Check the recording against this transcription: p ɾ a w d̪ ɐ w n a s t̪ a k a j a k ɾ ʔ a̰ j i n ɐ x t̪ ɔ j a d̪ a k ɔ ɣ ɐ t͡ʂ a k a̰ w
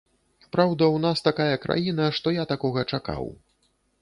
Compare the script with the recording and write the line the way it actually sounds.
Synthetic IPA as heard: p ɾ a w d̪ ɐ w n a s t̪ a k a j ɐ k ɾ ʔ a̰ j i n ɐ ʂ t̪ ɔ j a t̪ a k ɔ ɣ ɐ t͡ʂ a k a̰ w